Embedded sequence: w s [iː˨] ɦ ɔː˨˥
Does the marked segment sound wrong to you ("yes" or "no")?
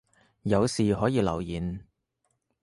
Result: no